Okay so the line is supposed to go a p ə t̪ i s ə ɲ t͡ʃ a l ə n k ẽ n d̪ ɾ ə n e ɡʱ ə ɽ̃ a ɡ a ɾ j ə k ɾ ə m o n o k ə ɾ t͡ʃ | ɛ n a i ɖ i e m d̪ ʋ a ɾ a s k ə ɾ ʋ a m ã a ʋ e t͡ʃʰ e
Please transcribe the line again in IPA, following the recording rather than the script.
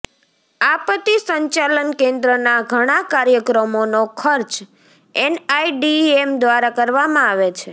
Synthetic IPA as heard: a p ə t̪ i s ə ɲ t͡ʃ a l ə n k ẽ n d̪ ɾ ə n a ɡʱ ə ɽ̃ a k a ɾ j ə k ɾ ə m o n o kʰ ə ɾ t͡ʃ | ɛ n a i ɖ i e m d̪ ʋ a ɾ a k ə ɾ ʋ a m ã a ʋ e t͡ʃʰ e